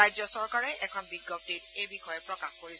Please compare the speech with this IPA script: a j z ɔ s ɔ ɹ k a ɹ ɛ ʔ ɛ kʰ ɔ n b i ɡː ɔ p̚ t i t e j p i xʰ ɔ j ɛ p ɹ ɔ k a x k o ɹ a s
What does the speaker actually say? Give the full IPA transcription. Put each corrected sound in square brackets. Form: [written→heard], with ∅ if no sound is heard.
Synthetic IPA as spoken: a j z ɔ s ɔ ɹ k a ɹ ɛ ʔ ɛ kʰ ɔ n b i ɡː ɔ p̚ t i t e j [p→b] i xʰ ɔ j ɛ p ɹ ɔ k a x k o ɹ [a→i] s

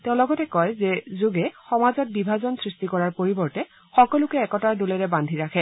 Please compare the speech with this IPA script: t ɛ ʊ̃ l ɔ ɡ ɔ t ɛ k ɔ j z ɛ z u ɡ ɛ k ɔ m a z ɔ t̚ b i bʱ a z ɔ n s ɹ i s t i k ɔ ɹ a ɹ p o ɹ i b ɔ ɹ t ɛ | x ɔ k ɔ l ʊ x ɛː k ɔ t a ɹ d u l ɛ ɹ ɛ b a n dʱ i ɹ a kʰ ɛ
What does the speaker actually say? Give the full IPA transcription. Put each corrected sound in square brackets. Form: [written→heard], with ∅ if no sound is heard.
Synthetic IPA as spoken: t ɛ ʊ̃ l ɔ ɡ ɔ t ɛ k ɔ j z ɛ z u ɡ ɛ [k→x] ɔ m a z ɔ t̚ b i bʱ a z ɔ n s ɹ i s t i k ɔ ɹ a ɹ p o ɹ i b ɔ ɹ t ɛ | x ɔ k ɔ l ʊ [x→k] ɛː k ɔ t a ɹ d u l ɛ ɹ ɛ b a n dʱ i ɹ a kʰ ɛ

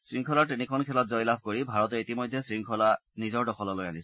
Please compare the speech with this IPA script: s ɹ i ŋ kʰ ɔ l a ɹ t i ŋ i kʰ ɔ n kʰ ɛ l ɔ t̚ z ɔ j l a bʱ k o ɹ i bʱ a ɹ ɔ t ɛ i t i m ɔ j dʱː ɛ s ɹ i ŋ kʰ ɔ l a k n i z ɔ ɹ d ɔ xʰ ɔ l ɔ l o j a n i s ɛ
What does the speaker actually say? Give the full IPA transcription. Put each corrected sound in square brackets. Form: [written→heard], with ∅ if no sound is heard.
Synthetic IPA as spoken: s ɹ i ŋ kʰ ɔ l a ɹ t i [ŋ→n] i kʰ ɔ n kʰ ɛ l ɔ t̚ z ɔ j l a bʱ k o ɹ i bʱ a ɹ ɔ t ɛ i t i m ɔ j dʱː ɛ s ɹ i ŋ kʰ ɔ l a [k→∅] n i z ɔ ɹ d ɔ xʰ ɔ l ɔ l o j a n i s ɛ

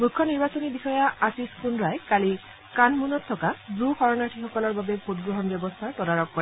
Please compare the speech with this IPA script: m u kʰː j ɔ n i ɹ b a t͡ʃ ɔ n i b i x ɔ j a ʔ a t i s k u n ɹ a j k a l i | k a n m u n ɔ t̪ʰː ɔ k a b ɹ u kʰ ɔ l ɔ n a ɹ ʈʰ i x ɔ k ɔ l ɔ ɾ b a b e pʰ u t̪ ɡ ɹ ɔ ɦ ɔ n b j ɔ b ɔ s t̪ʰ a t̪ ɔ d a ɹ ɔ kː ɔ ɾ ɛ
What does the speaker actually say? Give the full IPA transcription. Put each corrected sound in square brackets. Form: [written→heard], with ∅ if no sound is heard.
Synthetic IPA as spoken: m u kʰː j ɔ n i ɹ b a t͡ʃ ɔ n i b i x ɔ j a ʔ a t i s k u n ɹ a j k a l i | k a n m u n ɔ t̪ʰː ɔ k a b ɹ u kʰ ɔ [l→ɹ] ɔ n a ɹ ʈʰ i x ɔ k ɔ l ɔ [ɾ→ɹ] b a b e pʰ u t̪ ɡ ɹ ɔ ɦ ɔ n b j ɔ b ɔ s t̪ʰ a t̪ ɔ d a ɹ ɔ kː ɔ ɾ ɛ

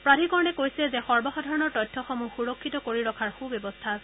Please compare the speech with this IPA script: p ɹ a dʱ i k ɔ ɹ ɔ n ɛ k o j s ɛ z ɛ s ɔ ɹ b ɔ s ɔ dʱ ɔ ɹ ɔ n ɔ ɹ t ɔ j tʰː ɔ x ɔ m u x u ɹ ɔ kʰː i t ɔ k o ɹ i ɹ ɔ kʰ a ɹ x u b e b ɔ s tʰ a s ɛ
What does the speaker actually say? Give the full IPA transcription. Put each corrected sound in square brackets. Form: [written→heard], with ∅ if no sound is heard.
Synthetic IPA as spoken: p ɹ a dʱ i k ɔ ɹ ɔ n ɛ k o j s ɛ z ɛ [s→x] ɔ ɹ b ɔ [s→x] ɔ dʱ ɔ ɹ ɔ n ɔ ɹ t ɔ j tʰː ɔ x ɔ m u x u ɹ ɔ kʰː i t ɔ k o ɹ i ɹ ɔ kʰ a ɹ x u b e b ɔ s tʰ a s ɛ

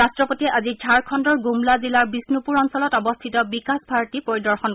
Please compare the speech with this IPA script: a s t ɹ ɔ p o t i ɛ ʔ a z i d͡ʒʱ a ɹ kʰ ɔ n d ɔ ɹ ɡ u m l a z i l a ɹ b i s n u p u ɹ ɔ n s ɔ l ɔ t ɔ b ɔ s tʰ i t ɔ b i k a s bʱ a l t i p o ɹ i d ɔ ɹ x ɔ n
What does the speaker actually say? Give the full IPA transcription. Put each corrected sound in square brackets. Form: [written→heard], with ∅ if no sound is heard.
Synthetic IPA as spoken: a s t ɹ ɔ p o t i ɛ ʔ a z i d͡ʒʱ a ɹ kʰ ɔ n d ɔ ɹ ɡ u m l a z i l a ɹ b i s n u p u ɹ ɔ n s ɔ l ɔ t ɔ b ɔ s tʰ i t ɔ b i k a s bʱ a [l→ɹ] t i p o ɹ i d ɔ ɹ x ɔ n

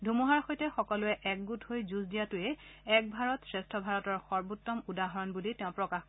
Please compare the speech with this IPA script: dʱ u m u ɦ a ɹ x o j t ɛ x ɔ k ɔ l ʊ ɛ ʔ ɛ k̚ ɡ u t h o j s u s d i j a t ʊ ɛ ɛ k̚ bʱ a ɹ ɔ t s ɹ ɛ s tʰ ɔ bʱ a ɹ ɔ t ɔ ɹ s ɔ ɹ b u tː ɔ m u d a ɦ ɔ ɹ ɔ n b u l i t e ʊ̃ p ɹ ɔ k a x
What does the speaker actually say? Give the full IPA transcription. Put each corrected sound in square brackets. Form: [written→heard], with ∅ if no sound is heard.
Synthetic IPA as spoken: dʱ u m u ɦ a ɹ x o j t ɛ x ɔ k ɔ l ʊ ɛ ʔ ɛ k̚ ɡ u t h o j [s→z] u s d i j a t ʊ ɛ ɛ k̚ bʱ a ɹ ɔ t s ɹ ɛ s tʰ ɔ bʱ a ɹ ɔ t ɔ ɹ [s→x] ɔ ɹ b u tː ɔ m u d a ɦ ɔ ɹ ɔ n b u l i t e ʊ̃ p ɹ ɔ k a x

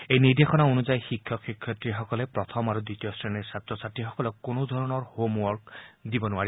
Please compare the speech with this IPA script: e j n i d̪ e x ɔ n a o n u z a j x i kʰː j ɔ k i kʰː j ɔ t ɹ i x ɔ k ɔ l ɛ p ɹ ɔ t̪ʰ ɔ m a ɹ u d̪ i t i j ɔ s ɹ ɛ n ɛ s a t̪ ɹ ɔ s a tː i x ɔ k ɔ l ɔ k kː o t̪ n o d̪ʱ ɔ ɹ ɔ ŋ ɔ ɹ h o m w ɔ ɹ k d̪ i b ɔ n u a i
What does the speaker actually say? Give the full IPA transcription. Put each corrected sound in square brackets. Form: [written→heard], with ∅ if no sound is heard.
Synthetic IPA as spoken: e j n i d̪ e x ɔ n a o n u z a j x i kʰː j ɔ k i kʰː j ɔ t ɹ i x ɔ k ɔ l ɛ p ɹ ɔ t̪ʰ ɔ m a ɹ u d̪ i t i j ɔ s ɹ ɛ n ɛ s a t̪ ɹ ɔ s a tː i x ɔ k ɔ l ɔ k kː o [t̪→∅] n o d̪ʱ ɔ ɹ ɔ [ŋ→n] ɔ ɹ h o m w ɔ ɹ k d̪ i b ɔ n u a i

